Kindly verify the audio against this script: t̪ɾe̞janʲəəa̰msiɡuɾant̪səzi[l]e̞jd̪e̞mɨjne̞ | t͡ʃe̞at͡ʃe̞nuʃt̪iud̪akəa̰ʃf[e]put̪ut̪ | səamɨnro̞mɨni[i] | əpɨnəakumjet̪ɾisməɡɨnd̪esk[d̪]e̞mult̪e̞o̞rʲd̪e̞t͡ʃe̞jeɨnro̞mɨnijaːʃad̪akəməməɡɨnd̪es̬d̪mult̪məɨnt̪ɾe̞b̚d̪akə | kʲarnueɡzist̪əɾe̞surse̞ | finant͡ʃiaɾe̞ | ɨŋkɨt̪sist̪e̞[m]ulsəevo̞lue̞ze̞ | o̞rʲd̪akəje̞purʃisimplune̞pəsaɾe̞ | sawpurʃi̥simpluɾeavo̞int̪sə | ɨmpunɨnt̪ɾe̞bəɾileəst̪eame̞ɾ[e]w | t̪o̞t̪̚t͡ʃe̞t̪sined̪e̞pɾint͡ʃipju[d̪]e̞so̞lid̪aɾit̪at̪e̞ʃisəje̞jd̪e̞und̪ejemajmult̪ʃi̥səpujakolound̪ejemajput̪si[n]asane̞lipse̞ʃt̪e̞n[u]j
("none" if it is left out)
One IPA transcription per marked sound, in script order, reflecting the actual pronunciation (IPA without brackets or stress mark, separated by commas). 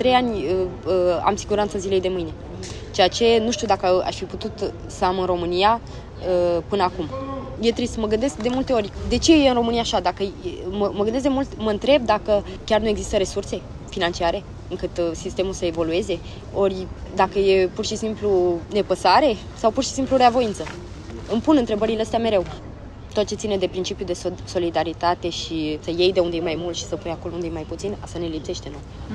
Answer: l, i, a, d̪, m, e, d̪, n, o